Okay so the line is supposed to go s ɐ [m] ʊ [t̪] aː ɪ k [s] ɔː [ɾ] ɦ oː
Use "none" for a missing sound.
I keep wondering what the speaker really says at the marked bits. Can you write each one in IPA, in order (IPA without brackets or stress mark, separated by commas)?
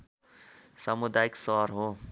m, d̪, s, ɾ